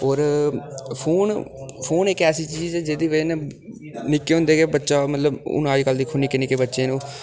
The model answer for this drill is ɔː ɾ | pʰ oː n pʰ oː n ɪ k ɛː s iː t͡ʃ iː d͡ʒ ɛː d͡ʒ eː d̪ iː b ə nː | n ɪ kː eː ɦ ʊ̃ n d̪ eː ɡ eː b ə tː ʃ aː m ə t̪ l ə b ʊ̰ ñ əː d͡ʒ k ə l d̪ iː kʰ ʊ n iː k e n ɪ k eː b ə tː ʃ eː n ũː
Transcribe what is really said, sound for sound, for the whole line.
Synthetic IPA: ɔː ɾ | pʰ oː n pʰ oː n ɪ k ɛː s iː t͡ʃ iː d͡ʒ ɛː d͡ʒ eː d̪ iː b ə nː | n ɪ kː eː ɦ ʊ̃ n d̪ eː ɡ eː b ə tː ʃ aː m ə t̪ l ə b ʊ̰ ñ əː d͡ʒ k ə l d̪ iː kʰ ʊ n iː k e n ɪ k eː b ə tː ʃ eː n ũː